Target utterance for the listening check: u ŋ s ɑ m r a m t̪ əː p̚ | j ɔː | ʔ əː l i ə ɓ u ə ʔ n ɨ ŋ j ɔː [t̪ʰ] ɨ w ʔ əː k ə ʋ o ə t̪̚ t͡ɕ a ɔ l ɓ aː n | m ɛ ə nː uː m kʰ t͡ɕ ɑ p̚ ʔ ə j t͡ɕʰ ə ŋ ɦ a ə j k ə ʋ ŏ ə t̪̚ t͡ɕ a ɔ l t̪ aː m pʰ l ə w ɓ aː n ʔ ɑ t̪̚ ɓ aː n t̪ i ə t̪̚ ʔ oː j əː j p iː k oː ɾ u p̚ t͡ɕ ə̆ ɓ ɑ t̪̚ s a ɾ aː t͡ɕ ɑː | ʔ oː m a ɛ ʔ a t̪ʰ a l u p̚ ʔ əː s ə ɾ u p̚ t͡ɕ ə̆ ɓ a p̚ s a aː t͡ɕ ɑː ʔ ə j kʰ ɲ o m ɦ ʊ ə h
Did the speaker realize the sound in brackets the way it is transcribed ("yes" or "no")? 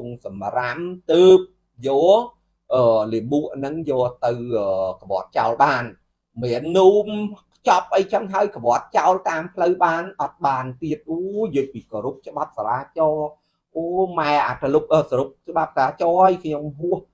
no